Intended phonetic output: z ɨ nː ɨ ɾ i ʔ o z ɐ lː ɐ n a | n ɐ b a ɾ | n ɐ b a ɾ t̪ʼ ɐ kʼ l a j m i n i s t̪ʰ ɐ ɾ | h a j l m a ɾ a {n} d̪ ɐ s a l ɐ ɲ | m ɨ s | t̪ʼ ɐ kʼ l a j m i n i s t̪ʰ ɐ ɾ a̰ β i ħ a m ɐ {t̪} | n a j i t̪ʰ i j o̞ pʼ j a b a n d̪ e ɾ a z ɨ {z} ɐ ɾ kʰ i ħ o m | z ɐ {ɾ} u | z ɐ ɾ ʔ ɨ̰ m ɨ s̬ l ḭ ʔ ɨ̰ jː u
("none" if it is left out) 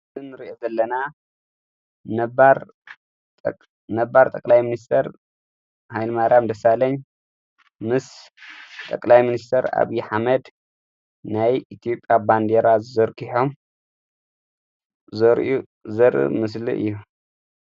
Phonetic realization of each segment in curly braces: m, d̪, z, ɾ

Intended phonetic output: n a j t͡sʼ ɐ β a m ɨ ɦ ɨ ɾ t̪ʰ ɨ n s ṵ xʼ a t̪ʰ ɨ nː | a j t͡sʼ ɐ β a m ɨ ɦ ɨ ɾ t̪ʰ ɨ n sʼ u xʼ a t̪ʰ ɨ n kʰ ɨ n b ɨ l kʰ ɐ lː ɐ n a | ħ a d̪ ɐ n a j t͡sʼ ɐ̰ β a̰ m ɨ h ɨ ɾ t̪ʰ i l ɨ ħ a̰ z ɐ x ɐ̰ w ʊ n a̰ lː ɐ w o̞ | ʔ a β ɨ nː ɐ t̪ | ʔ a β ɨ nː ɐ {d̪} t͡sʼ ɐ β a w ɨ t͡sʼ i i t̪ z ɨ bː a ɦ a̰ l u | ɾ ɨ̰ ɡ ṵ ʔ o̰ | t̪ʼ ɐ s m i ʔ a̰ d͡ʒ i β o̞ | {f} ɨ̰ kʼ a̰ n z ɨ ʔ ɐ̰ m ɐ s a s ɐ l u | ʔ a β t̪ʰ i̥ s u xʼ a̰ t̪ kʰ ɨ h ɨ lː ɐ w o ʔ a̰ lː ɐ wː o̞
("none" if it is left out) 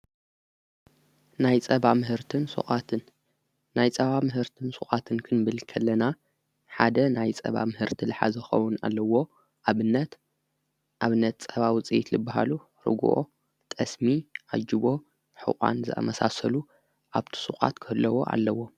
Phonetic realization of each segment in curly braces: t̪, ħ

